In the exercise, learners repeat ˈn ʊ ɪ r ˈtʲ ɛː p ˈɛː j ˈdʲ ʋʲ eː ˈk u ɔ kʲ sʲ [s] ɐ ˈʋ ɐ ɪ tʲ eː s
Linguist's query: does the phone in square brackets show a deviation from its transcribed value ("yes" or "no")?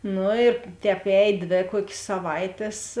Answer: no